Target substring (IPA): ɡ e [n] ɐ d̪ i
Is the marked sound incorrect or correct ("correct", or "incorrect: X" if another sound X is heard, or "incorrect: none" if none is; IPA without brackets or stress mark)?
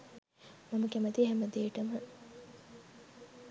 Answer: incorrect: m